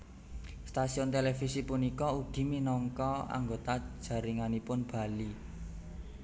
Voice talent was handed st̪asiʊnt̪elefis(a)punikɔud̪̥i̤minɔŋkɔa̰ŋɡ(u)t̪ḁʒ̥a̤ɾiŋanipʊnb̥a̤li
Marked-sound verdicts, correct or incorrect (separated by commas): incorrect, incorrect